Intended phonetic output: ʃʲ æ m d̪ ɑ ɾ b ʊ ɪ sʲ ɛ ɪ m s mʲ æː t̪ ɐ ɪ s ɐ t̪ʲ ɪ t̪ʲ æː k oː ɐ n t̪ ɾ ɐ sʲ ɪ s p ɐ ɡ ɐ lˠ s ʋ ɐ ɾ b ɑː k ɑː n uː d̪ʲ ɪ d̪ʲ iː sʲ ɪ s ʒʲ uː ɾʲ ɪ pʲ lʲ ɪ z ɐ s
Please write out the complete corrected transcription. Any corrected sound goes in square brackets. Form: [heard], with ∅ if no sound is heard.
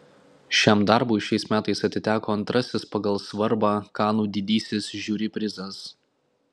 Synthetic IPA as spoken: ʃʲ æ m d̪ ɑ ɾ b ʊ ɪ [ʃʲ] ɛ ɪ [∅] s mʲ æː t̪ ɐ ɪ s ɐ t̪ʲ ɪ t̪ʲ æː k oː ɐ n t̪ ɾ ɐ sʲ ɪ s p ɐ ɡ ɐ lˠ s ʋ ɐ ɾ b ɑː k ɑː n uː d̪ʲ ɪ d̪ʲ iː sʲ ɪ s ʒʲ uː ɾʲ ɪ pʲ [ɾʲ] ɪ z ɐ s